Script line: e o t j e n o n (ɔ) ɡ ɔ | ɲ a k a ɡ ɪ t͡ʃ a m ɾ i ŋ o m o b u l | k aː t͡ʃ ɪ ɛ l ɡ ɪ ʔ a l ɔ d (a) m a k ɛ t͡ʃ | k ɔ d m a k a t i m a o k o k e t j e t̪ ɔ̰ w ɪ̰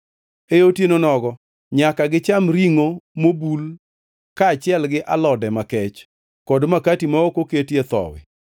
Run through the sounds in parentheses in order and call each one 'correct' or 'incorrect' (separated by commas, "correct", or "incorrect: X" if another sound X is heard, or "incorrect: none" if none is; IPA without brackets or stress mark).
correct, incorrect: ɛ